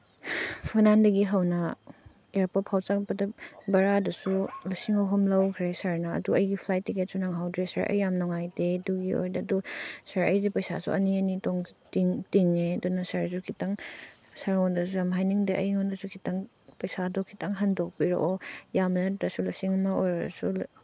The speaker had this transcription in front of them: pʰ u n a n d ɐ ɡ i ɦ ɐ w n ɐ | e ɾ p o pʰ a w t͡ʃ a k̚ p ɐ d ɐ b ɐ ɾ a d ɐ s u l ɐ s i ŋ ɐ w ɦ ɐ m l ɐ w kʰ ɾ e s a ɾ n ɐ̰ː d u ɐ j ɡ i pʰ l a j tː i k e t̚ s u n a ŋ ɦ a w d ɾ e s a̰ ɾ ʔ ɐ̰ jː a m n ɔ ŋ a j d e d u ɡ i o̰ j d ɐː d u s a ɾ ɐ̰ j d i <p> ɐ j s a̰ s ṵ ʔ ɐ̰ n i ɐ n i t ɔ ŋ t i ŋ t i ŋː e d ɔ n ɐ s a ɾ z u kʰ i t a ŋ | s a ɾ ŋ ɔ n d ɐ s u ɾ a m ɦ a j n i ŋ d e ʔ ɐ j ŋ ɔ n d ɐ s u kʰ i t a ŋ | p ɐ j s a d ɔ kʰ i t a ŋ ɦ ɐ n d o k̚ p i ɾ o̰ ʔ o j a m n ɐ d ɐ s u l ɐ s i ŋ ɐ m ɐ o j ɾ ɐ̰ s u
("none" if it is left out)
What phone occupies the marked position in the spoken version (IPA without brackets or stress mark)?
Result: p